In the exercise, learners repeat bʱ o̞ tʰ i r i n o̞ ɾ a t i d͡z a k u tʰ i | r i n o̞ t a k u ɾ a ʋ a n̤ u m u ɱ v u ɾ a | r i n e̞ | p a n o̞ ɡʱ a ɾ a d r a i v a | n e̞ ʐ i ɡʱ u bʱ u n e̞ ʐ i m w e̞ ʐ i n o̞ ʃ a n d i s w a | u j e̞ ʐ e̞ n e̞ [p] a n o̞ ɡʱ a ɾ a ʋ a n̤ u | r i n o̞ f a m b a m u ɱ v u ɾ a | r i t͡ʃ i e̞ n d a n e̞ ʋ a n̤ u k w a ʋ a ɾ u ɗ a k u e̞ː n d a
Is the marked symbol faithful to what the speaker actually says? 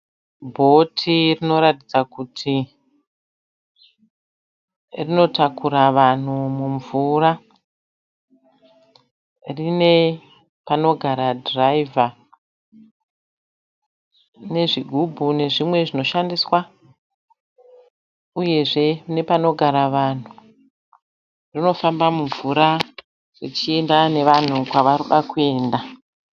yes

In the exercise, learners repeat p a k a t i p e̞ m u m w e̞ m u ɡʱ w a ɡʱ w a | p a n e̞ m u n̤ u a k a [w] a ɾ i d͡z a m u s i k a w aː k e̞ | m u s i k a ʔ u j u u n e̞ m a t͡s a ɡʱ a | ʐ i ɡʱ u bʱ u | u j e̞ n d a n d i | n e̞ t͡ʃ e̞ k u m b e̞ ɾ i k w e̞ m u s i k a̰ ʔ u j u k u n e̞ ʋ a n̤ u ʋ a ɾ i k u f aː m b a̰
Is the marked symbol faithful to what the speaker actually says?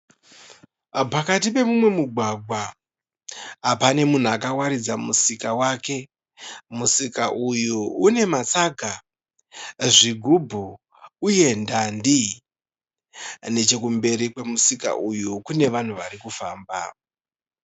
yes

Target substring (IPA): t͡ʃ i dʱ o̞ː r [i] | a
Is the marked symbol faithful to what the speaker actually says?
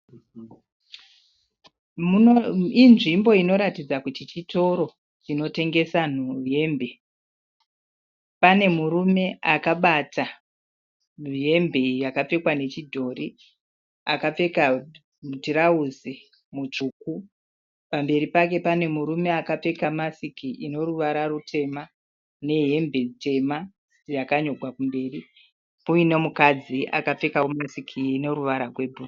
yes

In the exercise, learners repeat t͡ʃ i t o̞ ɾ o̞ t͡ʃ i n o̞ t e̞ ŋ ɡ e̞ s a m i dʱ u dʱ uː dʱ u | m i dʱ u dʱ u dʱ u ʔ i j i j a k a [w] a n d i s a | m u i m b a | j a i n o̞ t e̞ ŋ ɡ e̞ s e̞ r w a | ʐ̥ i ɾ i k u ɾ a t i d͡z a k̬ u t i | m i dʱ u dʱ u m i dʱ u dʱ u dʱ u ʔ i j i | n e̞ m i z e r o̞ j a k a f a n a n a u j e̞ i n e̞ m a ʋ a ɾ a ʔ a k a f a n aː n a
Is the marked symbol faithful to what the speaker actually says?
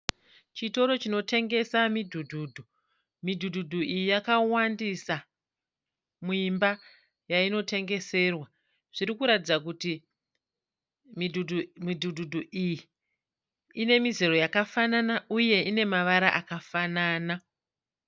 yes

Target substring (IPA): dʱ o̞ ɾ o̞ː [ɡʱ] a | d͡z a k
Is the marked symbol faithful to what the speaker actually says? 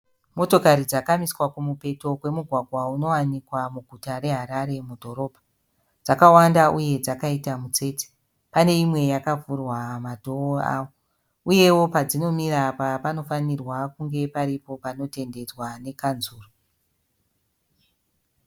no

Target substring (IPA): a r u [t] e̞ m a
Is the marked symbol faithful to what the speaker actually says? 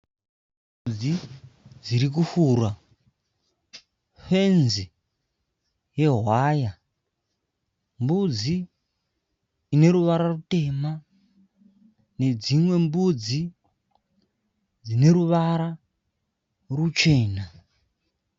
yes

